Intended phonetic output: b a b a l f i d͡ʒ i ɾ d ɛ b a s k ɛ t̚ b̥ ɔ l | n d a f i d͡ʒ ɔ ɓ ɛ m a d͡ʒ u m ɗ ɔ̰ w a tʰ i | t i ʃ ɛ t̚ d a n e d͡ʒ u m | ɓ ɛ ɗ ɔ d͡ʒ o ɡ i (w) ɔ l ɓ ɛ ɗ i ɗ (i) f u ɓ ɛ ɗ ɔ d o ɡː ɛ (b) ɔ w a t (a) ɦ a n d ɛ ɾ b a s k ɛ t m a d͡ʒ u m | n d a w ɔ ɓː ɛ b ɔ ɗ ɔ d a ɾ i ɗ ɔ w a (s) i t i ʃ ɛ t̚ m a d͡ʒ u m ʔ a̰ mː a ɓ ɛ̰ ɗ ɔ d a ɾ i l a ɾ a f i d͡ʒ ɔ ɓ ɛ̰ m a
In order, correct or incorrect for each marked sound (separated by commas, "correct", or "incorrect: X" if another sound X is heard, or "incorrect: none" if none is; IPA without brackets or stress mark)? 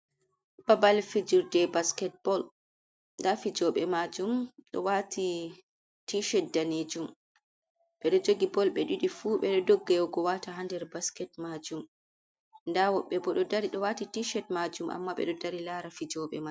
incorrect: b, correct, incorrect: ɡ, correct, incorrect: t